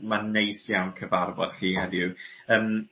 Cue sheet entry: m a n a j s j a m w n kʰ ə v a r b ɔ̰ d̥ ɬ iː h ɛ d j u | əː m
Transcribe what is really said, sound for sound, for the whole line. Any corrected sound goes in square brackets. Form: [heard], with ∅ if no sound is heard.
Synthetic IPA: m a n [e] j s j a [∅] w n kʰ ə v a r b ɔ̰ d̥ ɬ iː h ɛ d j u | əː m